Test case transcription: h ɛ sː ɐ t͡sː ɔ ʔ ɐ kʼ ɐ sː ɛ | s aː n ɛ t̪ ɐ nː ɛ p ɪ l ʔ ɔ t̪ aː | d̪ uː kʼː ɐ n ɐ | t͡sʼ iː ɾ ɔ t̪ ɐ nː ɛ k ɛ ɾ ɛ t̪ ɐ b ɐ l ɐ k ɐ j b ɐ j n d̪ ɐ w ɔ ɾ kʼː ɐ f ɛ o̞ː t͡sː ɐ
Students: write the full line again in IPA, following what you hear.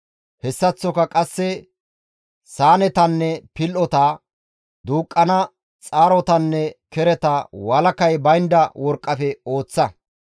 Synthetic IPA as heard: h ɛ sː ɐ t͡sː ɔ k ɐ kʼ ɐ sː ɛ | s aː n ɛ t̪ ɐ nː ɛ p ɪ l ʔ ɔ t̪ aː | d̪ uː kʼː ɐ n ɐ | t͡sʼ aː ɾ ɔ t̪ ɐ nː ɛ k ɛ ɾ ɛ t̪ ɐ w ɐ l ɐ k ɐ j b ɐ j n d̪ ɐ w ɔ ɾ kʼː ɐ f ɛ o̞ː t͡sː ɐ